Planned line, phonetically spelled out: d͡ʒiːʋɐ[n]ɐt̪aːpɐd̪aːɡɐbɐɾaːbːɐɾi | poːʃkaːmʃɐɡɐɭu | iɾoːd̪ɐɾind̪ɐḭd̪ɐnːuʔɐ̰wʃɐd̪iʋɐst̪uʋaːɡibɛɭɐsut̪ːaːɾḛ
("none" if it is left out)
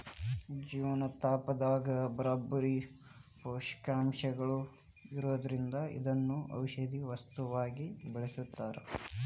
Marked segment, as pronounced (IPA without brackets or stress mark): n